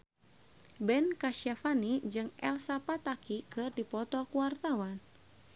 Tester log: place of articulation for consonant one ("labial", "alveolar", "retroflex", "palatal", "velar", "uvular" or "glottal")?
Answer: labial